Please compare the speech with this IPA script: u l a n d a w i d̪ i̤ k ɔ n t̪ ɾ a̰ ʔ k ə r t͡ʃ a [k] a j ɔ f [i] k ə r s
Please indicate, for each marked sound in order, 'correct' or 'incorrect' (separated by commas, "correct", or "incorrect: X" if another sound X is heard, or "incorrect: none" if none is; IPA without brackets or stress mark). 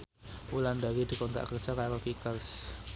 correct, correct